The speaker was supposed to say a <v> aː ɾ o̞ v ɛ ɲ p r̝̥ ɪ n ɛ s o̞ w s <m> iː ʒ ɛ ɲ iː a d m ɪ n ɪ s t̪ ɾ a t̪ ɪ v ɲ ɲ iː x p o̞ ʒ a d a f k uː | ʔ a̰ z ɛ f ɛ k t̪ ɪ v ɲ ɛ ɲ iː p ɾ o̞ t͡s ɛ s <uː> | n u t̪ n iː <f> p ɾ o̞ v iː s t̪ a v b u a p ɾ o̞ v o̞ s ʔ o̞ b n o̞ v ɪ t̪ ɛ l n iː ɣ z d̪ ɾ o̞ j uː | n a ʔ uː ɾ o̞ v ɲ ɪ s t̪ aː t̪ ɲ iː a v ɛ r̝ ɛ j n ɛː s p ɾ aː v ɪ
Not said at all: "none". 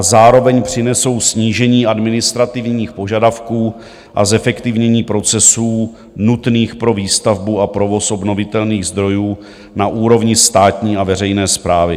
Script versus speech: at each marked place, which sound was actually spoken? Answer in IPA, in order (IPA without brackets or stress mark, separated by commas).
z, ɲ, uː, x